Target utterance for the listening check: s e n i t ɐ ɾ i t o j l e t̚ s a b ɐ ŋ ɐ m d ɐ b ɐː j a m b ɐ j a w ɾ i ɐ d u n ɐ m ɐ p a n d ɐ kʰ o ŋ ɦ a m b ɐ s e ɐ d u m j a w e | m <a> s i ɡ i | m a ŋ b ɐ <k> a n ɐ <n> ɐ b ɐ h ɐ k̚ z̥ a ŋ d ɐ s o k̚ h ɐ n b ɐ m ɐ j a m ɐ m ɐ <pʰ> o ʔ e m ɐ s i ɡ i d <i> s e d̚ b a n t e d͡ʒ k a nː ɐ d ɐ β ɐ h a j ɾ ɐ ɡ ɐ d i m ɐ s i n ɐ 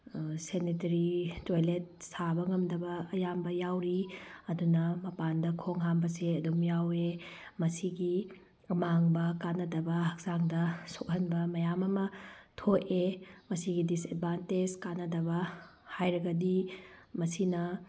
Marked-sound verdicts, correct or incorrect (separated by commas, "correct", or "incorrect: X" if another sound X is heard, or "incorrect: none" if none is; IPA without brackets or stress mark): incorrect: ɐ, correct, incorrect: d, incorrect: tʰ, correct